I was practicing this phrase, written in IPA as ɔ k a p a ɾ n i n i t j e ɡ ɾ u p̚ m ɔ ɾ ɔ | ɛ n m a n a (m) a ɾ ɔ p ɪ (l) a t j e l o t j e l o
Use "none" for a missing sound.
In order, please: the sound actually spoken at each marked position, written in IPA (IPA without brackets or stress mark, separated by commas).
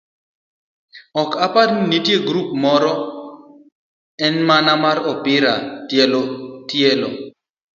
m, ɾ